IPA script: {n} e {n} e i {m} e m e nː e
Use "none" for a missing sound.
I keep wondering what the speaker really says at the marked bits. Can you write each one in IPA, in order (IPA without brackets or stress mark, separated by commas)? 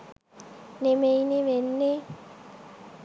n, m, n